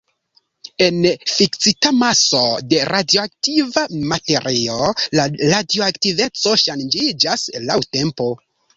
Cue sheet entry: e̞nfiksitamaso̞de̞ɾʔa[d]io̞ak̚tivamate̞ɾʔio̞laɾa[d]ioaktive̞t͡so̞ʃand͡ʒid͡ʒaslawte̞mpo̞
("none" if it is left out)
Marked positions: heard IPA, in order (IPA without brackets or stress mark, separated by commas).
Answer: d, d